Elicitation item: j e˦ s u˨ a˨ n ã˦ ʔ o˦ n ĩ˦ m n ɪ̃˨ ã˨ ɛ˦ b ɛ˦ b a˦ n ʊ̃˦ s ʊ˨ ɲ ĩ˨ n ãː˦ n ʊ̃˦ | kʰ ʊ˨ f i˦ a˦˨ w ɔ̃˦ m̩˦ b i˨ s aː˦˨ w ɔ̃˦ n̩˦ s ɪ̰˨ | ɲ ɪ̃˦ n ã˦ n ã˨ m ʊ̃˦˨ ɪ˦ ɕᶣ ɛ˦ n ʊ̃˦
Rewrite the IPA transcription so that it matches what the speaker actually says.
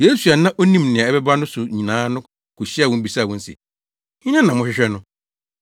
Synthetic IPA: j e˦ s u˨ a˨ n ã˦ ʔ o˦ n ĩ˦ m n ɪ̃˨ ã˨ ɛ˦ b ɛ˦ b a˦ n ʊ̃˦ s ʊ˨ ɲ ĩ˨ n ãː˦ n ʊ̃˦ | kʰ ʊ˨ ɕ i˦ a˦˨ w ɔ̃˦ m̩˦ b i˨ s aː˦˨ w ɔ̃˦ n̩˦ s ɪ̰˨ | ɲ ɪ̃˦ n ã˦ n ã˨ m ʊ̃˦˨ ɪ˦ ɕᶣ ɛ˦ n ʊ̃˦